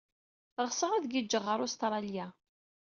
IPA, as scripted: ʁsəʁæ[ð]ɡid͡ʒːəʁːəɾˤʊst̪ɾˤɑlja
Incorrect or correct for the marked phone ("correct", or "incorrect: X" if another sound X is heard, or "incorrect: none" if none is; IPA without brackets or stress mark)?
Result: correct